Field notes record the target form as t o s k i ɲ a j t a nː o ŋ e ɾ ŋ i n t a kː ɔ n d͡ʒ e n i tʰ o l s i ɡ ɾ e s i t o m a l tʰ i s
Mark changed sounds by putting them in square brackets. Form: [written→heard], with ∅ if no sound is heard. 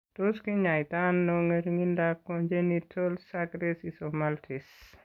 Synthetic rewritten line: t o s k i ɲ a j t a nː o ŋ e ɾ ŋ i n [t→d] a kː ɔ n d͡ʒ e n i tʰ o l s [i→a] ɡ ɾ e s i [t→s] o m a l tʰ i s